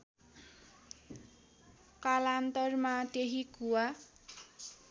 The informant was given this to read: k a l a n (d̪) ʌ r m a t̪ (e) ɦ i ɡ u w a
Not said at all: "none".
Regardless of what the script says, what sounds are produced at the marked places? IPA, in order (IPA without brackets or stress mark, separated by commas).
t̪, e